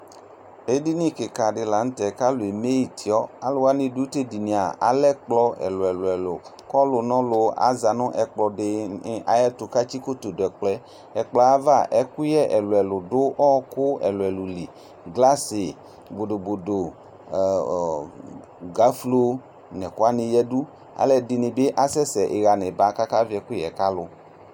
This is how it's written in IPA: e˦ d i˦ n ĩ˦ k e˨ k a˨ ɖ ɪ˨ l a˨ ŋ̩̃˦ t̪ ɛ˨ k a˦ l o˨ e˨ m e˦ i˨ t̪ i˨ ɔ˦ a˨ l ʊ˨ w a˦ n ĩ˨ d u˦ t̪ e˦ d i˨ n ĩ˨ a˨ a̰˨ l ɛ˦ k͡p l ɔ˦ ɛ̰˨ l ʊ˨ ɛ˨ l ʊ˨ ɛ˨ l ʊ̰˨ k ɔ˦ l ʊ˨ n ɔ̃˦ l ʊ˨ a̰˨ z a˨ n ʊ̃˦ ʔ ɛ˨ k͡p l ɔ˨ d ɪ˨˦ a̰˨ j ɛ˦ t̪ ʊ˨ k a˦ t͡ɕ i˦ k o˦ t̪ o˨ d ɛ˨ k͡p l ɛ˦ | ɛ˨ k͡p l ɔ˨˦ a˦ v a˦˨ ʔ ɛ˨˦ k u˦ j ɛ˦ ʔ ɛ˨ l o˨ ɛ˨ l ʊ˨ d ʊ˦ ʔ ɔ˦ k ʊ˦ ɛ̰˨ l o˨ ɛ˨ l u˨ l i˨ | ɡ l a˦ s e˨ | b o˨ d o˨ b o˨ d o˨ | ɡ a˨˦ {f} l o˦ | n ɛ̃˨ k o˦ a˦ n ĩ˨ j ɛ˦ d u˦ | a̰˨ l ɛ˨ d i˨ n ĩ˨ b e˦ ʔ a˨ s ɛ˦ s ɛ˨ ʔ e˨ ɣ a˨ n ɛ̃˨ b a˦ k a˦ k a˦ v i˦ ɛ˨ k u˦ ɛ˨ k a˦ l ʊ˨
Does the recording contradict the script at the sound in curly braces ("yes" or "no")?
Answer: no